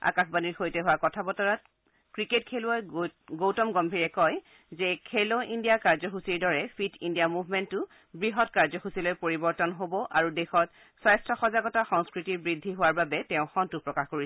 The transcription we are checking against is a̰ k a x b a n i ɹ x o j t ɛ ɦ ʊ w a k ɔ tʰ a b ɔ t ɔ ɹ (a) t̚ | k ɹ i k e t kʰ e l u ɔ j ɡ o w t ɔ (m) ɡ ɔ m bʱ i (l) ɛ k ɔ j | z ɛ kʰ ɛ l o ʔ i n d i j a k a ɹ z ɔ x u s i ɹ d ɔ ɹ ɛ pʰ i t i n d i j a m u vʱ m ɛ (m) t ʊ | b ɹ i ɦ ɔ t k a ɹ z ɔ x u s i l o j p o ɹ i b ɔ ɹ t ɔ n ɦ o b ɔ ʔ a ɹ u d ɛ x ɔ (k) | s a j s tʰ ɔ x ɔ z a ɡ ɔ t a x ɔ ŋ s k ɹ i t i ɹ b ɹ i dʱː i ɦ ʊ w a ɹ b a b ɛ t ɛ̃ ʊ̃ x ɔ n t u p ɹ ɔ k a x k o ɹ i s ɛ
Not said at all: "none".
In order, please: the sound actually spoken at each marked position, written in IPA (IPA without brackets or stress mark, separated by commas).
a, m, ɹ, n, t